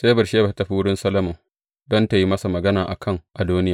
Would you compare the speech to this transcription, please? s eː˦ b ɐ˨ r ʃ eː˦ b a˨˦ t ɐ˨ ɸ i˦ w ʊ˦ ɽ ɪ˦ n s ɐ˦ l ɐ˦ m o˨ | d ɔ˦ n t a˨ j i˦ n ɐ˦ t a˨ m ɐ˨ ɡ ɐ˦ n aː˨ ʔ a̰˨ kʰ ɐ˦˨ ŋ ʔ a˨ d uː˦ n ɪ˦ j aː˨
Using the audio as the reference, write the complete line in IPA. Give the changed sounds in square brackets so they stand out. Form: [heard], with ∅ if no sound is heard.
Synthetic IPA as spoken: s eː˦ b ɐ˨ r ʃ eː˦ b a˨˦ t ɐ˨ ɸ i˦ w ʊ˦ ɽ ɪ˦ n s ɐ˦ l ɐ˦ m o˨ | d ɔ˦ n t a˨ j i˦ [m] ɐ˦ [s] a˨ m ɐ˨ ɡ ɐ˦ n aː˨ ʔ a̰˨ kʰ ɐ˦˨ ŋ ʔ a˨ d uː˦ n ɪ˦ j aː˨